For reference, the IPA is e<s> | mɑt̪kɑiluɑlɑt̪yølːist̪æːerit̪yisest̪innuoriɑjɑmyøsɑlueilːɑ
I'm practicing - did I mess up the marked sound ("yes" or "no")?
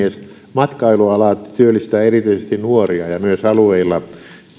no